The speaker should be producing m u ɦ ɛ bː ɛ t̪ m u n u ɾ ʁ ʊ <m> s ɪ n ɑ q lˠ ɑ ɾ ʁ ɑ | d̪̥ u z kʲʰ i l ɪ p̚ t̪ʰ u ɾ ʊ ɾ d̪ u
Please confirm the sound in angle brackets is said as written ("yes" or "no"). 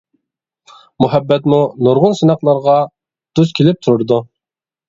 no